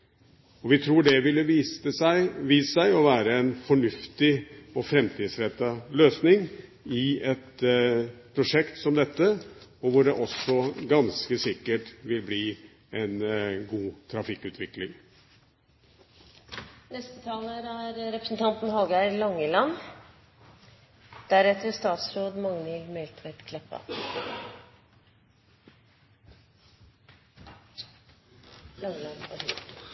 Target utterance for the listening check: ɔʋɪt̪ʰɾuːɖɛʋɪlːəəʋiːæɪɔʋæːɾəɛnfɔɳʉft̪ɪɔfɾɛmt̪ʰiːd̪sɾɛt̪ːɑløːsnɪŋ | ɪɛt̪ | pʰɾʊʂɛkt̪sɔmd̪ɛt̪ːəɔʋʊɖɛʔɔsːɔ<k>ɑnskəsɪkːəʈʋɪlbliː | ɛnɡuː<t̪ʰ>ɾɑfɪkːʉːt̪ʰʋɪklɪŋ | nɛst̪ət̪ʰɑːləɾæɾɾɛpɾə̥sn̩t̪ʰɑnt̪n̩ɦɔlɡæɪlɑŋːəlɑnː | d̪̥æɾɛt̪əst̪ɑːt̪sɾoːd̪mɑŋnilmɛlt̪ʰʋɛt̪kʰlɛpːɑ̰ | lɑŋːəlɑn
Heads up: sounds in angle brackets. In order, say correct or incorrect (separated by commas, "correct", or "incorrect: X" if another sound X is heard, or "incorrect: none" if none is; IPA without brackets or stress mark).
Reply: incorrect: ɡ, correct